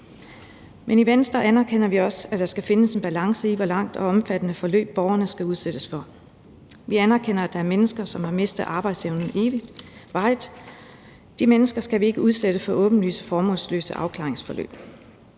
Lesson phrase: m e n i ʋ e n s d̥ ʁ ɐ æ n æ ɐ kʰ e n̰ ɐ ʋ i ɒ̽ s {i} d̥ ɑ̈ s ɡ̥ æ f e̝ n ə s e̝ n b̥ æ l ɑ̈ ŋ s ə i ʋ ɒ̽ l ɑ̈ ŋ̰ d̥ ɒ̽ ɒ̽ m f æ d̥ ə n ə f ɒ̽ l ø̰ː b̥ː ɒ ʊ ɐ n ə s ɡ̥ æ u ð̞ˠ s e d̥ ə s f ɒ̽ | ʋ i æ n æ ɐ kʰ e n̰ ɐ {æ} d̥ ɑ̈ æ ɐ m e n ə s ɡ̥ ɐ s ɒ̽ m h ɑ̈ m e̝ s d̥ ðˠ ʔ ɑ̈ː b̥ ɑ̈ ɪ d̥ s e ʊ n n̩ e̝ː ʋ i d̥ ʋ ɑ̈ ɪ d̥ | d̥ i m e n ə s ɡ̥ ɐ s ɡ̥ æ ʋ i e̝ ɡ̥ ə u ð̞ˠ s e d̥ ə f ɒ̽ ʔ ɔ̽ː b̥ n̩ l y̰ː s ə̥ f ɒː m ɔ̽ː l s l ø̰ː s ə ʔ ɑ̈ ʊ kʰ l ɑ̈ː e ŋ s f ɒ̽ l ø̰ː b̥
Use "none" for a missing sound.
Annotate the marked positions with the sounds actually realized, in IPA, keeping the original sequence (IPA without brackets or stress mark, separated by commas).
æ, æ